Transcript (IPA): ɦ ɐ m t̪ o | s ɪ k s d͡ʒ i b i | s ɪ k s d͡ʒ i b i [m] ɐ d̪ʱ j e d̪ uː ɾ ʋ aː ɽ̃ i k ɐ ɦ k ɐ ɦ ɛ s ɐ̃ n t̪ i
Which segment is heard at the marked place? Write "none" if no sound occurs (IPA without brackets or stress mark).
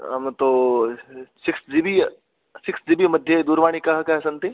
m